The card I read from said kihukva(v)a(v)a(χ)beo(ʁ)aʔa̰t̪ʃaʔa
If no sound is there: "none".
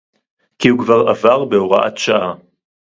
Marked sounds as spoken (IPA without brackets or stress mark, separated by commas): ʁ, v, ʁ, ʁ